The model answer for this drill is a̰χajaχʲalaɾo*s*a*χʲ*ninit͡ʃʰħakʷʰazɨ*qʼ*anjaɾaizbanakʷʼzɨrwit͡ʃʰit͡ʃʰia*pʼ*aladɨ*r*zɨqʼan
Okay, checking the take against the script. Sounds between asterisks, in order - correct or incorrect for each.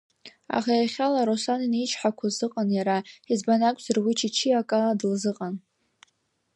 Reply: correct, incorrect: none, correct, incorrect: kʼ, incorrect: l

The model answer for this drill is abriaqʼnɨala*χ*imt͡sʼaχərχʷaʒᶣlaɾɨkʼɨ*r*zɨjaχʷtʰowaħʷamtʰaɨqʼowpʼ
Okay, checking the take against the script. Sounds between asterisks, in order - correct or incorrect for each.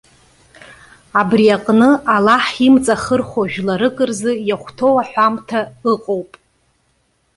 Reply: incorrect: ħ, correct

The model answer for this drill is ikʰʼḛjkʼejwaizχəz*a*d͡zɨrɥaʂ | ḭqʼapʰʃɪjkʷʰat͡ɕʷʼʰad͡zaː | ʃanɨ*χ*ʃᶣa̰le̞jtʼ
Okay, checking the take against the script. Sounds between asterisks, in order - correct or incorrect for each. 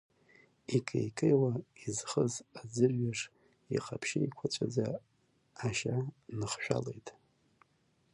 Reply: correct, correct

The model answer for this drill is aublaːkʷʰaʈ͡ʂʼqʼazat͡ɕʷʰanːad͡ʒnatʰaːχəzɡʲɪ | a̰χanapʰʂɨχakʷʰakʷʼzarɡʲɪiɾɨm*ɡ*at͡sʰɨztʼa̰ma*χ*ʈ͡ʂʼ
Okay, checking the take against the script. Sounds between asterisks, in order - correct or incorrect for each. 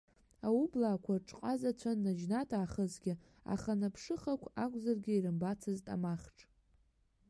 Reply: incorrect: b, correct

